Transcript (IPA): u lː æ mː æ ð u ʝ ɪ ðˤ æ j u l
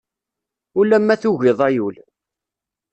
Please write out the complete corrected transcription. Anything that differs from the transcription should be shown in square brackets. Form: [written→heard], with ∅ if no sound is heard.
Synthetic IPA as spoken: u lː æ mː æ [ð→θ] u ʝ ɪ ðˤ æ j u l